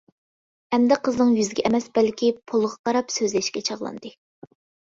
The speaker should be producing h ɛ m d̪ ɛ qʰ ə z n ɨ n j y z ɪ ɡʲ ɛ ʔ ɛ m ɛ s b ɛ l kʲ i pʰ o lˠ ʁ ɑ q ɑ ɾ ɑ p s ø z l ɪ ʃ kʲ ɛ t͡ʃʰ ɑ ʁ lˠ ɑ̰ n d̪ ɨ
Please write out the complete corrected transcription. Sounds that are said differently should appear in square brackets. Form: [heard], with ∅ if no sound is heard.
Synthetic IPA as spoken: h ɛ m d̪ ɛ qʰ ə z n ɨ [ŋ] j y z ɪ ɡʲ ɛ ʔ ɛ m ɛ s b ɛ l kʲ i pʰ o lˠ ʁ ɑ q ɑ ɾ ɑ p s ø z l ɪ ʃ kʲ ɛ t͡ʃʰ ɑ ʁ lˠ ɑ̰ n d̪ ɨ